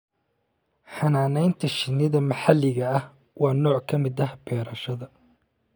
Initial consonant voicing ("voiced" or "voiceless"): voiceless